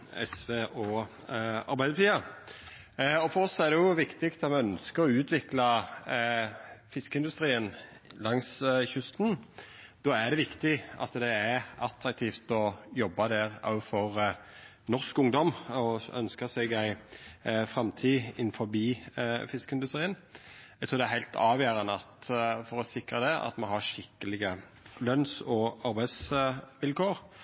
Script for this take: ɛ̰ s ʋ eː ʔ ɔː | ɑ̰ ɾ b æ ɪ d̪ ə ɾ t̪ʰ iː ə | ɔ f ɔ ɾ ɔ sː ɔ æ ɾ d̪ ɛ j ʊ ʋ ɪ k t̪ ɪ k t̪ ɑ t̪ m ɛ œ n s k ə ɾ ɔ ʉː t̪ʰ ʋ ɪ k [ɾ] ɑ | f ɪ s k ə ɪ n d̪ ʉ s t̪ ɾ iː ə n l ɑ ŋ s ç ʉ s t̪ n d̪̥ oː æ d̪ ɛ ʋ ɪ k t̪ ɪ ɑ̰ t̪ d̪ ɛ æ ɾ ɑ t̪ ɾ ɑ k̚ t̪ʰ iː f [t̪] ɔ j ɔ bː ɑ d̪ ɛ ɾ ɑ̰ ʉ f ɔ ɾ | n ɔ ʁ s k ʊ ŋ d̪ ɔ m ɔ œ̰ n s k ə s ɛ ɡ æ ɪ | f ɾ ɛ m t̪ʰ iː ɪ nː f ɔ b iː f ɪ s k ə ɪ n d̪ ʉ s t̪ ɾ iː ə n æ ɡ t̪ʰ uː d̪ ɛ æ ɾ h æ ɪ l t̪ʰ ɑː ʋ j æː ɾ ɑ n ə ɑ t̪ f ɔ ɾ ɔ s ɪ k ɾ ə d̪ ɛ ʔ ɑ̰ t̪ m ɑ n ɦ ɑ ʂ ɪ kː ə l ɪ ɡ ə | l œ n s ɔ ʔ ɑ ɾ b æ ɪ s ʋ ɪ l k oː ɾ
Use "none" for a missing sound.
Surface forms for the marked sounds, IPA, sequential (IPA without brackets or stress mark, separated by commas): l, t̪